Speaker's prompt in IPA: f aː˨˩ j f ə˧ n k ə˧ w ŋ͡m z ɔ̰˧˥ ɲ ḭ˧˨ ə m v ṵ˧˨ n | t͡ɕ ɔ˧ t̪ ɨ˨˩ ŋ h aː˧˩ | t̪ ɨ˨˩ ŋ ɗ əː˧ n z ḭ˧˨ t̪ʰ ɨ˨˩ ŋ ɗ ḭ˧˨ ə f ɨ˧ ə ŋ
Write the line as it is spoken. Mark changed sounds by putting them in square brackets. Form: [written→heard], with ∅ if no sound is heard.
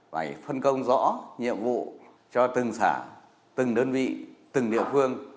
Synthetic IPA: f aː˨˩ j f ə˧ n k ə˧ w ŋ͡m z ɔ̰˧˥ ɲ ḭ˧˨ ə m v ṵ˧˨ [n→∅] | t͡ɕ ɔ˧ t̪ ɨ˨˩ ŋ [h→s] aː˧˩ | t̪ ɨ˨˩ ŋ ɗ əː˧ n [z→v] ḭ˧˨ [t̪ʰ→t̪] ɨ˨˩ ŋ ɗ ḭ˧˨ ə f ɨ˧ ə ŋ